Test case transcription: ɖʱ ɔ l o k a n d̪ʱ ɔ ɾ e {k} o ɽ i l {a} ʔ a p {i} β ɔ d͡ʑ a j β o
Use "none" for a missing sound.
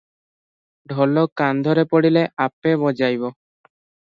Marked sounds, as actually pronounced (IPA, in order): p, e, e

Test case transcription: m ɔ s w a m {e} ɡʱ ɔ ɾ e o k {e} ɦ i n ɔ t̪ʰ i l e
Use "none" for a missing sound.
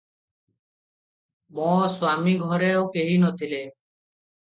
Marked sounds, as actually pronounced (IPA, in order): i, e

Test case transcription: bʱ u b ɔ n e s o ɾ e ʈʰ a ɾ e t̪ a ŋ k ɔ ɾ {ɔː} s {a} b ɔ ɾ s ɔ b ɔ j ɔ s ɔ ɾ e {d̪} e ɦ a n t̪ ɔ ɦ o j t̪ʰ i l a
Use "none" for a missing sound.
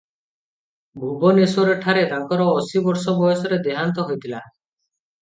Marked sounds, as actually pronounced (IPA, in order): ɔː, i, d̪

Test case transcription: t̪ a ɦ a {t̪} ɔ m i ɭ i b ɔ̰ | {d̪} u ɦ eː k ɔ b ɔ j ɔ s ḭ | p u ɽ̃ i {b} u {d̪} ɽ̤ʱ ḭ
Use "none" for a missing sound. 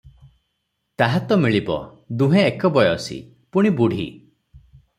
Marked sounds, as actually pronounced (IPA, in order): t̪, d̪, b, none

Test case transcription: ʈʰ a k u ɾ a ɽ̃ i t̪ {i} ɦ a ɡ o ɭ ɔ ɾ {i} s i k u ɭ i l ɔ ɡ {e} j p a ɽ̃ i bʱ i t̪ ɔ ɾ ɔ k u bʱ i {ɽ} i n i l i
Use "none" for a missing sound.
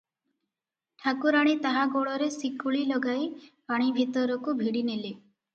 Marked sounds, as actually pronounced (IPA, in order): a, e, a, ɽ

